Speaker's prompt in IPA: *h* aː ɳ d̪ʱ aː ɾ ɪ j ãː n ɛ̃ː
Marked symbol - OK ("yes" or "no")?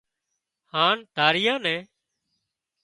yes